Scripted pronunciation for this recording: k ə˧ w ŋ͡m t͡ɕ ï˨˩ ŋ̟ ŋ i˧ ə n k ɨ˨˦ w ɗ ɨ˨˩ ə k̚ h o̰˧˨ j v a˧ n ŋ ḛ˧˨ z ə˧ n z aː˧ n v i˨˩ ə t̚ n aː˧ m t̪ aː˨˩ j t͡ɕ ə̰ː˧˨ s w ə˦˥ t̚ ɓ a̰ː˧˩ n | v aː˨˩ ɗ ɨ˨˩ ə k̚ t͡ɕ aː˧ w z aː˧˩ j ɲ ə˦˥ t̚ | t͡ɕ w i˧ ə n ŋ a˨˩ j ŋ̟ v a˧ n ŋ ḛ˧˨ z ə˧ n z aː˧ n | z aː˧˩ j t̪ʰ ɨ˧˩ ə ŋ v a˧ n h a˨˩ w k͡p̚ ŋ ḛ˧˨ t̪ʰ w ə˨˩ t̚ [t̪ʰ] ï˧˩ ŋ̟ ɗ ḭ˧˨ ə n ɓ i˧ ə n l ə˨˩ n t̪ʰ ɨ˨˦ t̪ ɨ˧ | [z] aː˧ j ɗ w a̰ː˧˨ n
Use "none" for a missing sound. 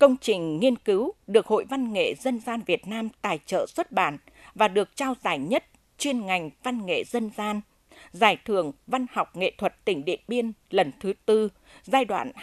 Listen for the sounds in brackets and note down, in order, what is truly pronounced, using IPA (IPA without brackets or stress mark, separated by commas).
t̪, z